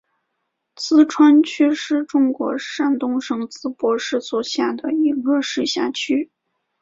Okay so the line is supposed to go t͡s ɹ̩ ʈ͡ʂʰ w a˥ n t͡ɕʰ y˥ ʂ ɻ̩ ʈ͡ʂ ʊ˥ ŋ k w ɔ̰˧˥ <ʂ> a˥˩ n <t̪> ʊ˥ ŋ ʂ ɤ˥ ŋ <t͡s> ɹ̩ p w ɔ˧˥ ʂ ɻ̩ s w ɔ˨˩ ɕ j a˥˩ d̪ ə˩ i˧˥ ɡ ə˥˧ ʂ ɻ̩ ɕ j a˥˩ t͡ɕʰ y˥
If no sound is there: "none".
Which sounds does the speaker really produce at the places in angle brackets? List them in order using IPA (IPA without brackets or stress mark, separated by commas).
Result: ʂ, t̪, t͡s